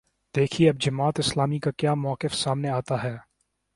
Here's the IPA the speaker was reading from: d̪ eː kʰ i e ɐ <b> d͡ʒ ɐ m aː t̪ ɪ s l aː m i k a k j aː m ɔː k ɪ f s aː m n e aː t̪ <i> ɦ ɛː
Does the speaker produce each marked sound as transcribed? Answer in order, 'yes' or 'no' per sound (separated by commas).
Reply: yes, no